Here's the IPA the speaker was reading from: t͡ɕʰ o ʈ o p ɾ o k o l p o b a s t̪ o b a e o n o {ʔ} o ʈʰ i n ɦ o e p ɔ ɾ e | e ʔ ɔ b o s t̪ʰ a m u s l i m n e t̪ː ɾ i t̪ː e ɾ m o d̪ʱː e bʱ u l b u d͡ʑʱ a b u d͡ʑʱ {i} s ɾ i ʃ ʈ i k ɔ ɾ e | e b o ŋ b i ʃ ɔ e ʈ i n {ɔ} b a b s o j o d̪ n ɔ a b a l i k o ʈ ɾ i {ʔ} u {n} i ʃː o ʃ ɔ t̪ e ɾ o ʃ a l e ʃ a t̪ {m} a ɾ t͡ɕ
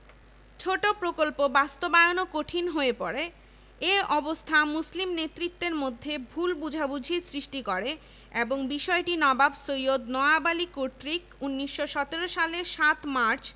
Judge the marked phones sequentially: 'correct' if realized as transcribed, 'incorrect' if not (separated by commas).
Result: incorrect, correct, correct, incorrect, incorrect, correct